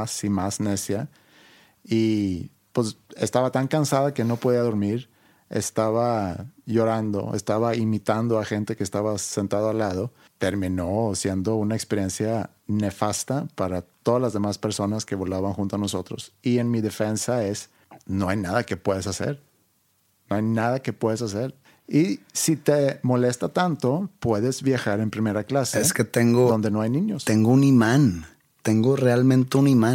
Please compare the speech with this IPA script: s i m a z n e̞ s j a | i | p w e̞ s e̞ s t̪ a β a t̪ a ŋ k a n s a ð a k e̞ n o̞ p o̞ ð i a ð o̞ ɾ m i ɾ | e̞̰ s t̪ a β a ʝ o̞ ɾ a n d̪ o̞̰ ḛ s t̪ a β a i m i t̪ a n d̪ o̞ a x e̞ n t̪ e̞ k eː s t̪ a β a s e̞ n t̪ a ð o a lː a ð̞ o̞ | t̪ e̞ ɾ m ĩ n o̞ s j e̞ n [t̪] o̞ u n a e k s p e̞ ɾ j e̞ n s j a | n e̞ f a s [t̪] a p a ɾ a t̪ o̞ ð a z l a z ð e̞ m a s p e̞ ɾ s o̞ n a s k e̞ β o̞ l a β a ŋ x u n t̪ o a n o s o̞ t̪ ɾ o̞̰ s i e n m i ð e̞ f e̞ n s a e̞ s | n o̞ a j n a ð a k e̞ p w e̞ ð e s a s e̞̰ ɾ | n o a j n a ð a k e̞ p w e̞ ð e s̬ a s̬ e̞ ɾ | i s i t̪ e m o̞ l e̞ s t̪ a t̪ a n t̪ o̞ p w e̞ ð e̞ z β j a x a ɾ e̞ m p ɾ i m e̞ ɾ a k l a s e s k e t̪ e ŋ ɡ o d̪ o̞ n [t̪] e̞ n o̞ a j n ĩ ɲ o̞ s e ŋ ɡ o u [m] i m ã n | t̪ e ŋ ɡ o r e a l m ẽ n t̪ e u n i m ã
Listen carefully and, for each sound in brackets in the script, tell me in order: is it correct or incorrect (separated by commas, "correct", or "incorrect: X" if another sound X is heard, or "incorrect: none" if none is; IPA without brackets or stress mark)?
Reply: incorrect: d̪, correct, incorrect: d̪, incorrect: n